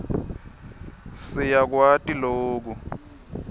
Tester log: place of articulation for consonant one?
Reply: alveolar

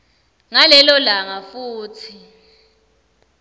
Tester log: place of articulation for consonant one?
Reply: velar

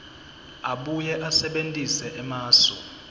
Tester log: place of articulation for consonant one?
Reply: labial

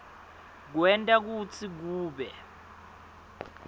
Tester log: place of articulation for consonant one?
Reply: velar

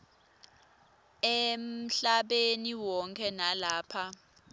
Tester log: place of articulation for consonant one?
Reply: labial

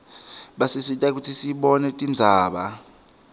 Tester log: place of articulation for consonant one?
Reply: labial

